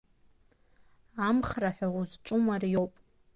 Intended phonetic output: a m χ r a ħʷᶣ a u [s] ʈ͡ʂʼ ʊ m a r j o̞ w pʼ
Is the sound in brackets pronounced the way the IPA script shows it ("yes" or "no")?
no